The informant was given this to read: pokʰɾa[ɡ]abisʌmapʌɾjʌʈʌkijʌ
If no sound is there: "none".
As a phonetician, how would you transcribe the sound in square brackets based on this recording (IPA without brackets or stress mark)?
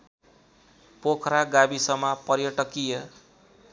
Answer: ɡ